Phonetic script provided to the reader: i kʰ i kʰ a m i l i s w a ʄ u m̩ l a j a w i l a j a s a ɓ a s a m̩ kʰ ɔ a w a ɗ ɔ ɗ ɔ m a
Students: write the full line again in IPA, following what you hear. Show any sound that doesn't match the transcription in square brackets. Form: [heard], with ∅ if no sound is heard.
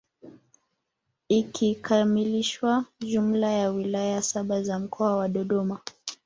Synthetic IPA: i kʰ i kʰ a m i l i [ʃ] w a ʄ u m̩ l a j a w i l a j a s a ɓ a [z] a m̩ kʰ ɔ a w a ɗ ɔ ɗ ɔ m a